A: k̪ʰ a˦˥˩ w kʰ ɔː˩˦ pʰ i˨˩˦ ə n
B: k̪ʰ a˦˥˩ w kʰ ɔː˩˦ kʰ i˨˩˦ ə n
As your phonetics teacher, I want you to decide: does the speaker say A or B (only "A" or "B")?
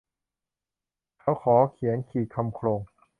B